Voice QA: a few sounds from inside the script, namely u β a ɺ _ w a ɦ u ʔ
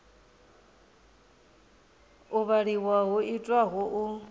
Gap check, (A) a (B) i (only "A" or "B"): B